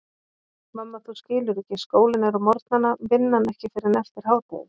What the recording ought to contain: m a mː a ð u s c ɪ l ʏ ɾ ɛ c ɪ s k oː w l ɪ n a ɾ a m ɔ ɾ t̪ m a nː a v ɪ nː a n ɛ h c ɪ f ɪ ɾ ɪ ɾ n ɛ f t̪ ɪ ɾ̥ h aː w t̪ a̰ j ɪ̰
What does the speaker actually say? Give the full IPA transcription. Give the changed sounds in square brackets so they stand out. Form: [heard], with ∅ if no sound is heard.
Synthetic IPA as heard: m a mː a [θ] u s c [ɪː] l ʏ ɾ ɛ c ɪ s k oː w l ɪ n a ɾ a m ɔ ɾ t̪ [n] a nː a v ɪ nː a n ɛ h c ɪ f ɪ ɾ ɪ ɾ n ɛ f t̪ ɪ ɾ̥ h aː w t̪ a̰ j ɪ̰